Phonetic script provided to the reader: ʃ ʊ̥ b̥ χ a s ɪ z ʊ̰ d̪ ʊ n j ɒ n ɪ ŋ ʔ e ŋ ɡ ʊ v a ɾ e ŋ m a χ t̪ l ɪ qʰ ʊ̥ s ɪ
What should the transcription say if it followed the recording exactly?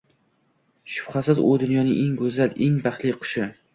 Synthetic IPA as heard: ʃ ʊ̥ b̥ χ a s ɪ z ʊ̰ d̪ ʊ n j ɒ n ɪ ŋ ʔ e ŋ ɡ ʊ z a l e ŋ b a χ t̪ l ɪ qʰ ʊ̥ ʃ ɪ